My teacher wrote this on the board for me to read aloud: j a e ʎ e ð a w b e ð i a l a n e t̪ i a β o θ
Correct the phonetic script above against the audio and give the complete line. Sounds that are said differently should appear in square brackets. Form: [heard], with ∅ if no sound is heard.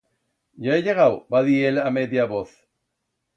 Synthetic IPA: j a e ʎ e [ɣ] a w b [a] ð i [e] l a [m] e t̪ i a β o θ